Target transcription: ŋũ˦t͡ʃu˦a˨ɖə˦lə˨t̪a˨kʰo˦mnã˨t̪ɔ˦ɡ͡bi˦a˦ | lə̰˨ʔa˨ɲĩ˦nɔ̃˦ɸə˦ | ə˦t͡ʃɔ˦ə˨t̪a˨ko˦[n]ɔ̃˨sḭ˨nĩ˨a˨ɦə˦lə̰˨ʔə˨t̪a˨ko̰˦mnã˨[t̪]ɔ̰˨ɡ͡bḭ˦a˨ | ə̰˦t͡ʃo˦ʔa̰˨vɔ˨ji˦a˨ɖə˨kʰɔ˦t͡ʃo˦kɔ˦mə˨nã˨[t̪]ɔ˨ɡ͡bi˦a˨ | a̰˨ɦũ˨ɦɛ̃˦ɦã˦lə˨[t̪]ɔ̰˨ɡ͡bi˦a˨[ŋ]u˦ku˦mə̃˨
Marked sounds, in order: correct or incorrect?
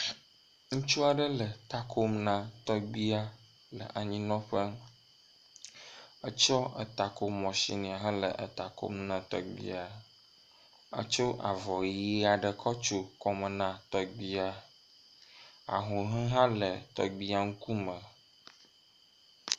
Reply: incorrect, correct, correct, correct, correct

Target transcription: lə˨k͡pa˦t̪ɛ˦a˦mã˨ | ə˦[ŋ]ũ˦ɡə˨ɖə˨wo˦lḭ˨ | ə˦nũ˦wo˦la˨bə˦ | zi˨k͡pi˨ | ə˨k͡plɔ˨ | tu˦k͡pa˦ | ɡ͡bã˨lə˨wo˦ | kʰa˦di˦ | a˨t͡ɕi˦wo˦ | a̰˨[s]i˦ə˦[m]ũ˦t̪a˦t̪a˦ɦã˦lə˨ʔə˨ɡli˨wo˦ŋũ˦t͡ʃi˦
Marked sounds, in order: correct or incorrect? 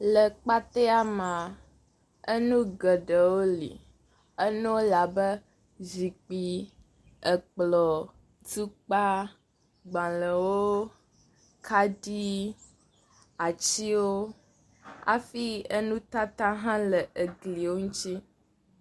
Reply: incorrect, incorrect, incorrect

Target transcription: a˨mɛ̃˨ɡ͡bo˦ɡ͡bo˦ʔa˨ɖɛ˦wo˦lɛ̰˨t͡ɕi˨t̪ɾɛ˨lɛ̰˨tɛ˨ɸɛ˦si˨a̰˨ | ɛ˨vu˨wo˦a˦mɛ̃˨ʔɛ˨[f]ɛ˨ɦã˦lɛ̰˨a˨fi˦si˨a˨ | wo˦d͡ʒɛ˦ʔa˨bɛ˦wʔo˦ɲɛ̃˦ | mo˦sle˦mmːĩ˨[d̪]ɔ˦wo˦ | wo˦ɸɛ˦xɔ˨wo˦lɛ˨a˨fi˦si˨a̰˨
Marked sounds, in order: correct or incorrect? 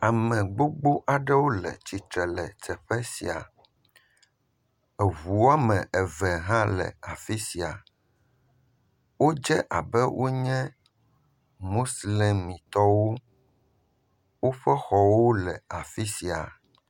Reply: incorrect, incorrect

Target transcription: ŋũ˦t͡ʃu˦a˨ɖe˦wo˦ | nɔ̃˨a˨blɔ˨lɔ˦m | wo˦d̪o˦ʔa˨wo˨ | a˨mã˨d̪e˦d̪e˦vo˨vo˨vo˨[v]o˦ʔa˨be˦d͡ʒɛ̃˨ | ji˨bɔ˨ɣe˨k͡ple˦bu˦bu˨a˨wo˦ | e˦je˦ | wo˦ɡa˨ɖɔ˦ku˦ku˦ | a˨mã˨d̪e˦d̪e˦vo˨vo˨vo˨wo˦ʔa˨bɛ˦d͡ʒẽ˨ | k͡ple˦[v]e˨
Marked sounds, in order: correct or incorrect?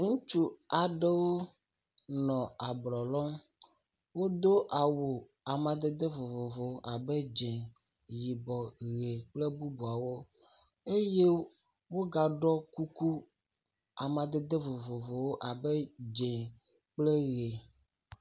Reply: incorrect, incorrect

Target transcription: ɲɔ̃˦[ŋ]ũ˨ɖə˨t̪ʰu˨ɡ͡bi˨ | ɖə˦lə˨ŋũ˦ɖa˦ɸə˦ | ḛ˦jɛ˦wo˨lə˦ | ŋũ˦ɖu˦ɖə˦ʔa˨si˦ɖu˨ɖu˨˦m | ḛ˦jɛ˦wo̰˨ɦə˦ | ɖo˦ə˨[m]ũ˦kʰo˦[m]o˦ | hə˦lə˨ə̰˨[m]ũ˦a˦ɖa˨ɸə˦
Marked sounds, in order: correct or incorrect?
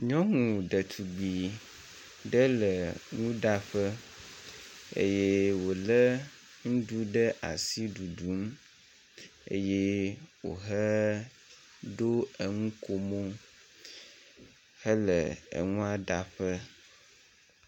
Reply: correct, incorrect, correct, incorrect

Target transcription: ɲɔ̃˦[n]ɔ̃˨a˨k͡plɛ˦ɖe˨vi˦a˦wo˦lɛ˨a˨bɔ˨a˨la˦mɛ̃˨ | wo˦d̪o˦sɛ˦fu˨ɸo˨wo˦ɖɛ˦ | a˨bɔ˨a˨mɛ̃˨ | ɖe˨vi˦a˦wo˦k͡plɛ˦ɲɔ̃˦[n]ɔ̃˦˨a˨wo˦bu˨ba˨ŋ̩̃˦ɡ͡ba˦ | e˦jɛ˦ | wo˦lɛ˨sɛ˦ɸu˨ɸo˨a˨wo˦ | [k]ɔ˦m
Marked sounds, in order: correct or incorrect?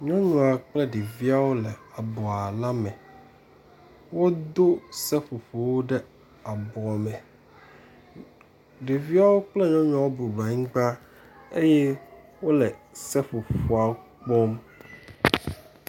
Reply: incorrect, incorrect, incorrect

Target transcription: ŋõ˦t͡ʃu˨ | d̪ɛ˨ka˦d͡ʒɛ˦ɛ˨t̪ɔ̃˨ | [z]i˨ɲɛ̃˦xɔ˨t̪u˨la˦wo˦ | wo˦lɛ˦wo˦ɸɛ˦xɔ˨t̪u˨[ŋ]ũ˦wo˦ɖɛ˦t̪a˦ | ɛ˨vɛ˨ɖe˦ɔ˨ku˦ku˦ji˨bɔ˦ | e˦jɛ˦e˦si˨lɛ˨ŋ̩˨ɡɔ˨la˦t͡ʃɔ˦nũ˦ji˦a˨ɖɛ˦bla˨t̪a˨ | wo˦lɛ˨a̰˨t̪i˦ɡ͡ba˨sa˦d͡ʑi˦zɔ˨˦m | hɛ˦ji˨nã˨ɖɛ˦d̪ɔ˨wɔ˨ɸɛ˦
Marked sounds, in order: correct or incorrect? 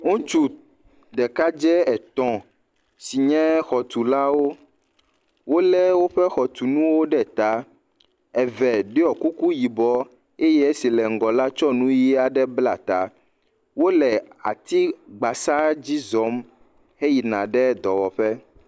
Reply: incorrect, incorrect

